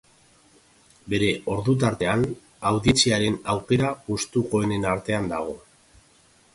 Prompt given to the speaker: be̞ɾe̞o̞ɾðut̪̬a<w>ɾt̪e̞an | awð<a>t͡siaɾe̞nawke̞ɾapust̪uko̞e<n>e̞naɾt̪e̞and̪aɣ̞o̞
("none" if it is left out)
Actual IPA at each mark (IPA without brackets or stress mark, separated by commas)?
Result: none, i, n